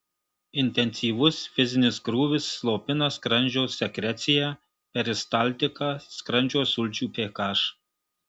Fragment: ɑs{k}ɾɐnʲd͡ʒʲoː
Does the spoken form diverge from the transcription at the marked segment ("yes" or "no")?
no